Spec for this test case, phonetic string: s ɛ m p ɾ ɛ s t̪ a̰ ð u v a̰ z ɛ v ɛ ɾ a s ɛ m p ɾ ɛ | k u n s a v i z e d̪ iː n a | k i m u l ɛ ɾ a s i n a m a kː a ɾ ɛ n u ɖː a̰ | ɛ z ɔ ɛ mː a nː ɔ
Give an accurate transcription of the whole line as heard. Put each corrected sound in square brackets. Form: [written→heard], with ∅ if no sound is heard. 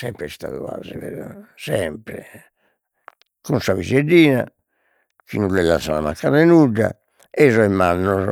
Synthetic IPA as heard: s ɛ m p ɾ ɛ s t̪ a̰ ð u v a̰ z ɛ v ɛ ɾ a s ɛ m p ɾ ɛ | k u n s a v i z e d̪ iː n a | k i [m→n] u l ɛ [ɾ→l] a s [i→a] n a m a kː a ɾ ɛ n u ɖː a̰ | ɛ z ɔ ɛ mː a nː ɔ